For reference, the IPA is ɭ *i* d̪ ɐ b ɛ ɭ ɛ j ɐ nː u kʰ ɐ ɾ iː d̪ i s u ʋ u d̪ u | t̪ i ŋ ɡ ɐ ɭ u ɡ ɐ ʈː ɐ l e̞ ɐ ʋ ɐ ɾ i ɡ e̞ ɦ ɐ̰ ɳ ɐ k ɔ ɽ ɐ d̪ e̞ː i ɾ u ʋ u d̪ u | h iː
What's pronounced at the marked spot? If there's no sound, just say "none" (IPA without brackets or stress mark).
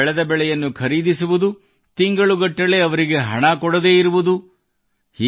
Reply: ɛ